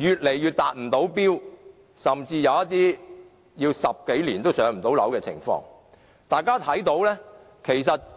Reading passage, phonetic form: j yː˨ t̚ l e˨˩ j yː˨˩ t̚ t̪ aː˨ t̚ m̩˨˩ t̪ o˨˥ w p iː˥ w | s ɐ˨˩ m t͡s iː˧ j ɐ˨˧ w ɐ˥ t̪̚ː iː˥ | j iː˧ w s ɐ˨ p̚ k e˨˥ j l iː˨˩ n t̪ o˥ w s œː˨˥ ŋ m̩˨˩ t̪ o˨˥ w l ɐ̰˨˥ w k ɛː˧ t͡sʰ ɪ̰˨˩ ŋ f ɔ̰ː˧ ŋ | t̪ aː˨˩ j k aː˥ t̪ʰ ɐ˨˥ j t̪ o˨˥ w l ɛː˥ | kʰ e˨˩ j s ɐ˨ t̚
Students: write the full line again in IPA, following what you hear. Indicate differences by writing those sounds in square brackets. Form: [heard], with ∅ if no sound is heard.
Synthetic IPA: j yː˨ t̚ l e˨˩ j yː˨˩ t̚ t̪ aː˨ t̚ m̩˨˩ t̪ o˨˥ w p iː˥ w | s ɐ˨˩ m t͡s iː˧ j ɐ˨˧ w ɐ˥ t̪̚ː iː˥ | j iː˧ w s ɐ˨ p̚ k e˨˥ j l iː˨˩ n t̪ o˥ w s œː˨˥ ŋ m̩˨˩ t̪ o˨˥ w l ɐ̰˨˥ w k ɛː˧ t͡sʰ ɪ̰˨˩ ŋ f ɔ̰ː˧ ŋ | t̪ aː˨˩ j k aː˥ t̪ʰ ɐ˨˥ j t̪ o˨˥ w l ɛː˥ | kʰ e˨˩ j s ɐ˨ t̚

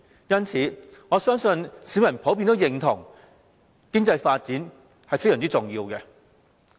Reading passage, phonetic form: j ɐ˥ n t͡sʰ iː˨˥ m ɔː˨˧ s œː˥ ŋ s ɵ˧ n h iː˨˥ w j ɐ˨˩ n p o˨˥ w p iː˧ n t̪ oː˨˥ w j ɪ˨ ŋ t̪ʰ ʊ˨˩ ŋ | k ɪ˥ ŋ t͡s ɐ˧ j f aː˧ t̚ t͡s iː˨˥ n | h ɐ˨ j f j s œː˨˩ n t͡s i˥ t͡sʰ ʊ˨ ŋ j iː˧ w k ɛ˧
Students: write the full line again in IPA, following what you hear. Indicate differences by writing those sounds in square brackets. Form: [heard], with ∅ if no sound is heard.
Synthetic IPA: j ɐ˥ n t͡sʰ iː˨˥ [ŋ] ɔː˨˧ s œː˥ ŋ s ɵ˧ n [s] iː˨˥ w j ɐ˨˩ n [pʰ] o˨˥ w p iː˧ n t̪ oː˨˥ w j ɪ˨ ŋ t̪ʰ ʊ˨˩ ŋ | k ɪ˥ ŋ t͡s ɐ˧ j f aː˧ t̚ t͡s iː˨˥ n | h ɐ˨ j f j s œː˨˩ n t͡s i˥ [t͡s] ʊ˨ ŋ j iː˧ w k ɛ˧

